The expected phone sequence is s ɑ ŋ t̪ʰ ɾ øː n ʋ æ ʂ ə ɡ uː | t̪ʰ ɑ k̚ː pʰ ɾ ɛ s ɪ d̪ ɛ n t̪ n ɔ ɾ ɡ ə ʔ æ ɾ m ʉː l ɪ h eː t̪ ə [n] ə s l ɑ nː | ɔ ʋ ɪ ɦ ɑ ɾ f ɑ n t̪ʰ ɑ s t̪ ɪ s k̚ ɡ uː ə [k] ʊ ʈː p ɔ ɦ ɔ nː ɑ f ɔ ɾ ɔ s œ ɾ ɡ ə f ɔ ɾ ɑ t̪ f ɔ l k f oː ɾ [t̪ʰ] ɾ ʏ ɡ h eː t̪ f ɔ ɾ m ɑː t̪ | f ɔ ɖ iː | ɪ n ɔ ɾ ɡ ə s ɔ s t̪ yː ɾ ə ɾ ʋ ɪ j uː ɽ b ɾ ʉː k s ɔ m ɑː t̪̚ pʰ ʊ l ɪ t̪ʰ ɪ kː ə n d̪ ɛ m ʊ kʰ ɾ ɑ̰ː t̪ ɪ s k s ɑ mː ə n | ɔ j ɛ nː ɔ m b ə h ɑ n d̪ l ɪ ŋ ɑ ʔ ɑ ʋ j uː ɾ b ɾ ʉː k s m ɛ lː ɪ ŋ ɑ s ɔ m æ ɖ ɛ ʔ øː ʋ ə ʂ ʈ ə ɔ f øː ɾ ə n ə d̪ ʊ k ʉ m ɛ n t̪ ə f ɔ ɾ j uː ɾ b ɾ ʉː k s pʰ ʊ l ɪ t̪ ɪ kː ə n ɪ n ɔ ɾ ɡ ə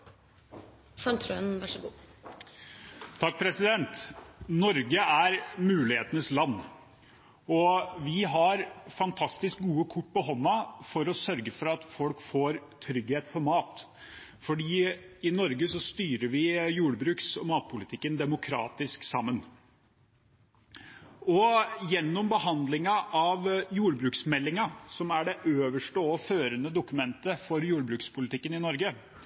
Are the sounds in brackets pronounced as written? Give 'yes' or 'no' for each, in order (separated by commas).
yes, no, yes